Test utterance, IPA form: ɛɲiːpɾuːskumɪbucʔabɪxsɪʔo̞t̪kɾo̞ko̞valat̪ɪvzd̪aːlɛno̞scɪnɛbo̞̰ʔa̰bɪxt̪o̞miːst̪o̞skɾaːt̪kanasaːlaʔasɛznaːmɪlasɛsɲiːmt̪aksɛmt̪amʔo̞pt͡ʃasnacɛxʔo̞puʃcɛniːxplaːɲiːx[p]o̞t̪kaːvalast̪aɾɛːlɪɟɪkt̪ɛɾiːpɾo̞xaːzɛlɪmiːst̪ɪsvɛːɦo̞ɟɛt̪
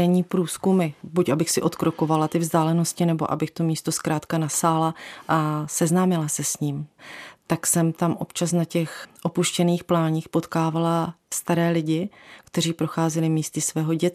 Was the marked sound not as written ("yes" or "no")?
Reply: no